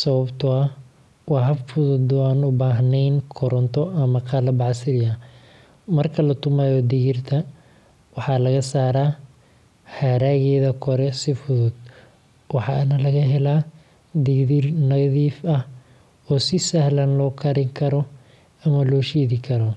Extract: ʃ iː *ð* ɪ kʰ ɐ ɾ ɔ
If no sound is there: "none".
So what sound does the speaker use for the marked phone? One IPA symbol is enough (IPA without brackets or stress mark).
ð